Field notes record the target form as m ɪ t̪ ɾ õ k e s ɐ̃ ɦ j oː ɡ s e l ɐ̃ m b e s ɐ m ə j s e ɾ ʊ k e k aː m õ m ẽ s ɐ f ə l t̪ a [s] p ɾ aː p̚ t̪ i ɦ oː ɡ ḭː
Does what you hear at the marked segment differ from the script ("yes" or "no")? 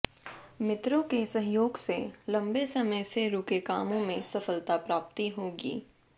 yes